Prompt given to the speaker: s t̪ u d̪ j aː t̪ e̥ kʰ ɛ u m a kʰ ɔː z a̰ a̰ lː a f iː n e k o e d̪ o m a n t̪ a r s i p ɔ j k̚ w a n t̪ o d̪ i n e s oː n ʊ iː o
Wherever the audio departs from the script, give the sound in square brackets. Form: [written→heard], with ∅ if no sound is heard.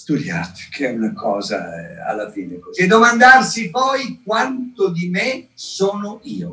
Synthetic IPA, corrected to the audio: s t̪ u d̪ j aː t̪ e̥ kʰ ɛ u [m→n] a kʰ ɔː z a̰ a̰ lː a f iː n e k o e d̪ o m a n [t̪→d̪] a r s i p ɔ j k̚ w a n t̪ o d̪ i [n→m] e s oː n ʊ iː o